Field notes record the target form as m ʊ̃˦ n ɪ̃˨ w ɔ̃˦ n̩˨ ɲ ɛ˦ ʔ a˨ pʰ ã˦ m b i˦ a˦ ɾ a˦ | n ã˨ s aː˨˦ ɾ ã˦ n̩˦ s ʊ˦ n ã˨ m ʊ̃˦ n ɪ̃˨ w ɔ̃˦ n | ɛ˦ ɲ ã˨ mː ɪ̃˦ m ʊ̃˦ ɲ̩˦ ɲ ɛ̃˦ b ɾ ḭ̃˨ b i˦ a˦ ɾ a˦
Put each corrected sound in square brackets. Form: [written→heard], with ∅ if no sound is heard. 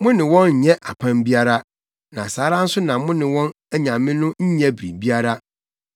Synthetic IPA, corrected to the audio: m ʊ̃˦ n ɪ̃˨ w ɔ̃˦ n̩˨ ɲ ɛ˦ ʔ a˨ pʰ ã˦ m b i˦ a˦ ɾ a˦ | n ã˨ s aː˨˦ ɾ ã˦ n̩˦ s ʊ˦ n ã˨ m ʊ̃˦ n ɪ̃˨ w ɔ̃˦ n | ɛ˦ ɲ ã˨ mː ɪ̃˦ [m→n] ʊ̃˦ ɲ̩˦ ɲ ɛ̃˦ b ɾ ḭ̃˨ b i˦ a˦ ɾ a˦